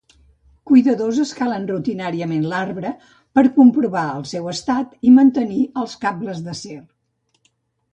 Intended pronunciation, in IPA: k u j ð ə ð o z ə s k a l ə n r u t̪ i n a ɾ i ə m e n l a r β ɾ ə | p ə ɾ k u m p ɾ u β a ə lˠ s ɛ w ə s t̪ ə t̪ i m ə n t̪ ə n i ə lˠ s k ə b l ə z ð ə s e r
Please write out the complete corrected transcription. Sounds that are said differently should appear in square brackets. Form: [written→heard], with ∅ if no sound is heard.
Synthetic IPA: k u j ð ə ð o z ə s k a l ə n r u t̪ i n a ɾ i ə m e n l a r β ɾ ə | p ə ɾ k u m p ɾ u β a ə lˠ s ɛ w ə s t̪ [ə→a] t̪ i m ə n t̪ ə n i ə lˠ s k [ə→a] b l ə z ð ə s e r